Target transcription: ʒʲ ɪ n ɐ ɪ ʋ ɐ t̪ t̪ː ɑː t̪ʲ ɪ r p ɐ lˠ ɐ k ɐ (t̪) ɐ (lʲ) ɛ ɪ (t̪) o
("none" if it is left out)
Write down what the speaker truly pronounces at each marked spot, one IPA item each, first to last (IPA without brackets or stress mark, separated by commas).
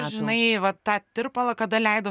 d̪, lʲ, d̪